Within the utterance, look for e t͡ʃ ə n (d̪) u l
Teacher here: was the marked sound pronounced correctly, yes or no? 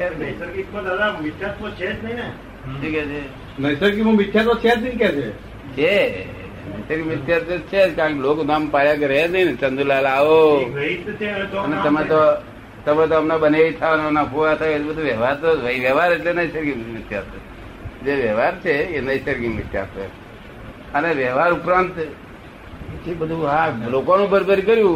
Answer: yes